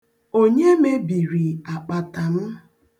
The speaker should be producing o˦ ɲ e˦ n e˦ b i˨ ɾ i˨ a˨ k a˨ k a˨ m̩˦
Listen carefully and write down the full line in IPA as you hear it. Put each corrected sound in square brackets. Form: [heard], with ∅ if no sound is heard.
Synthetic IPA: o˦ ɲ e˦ [m] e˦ b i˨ ɾ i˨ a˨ [k͡p] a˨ [t] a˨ m̩˦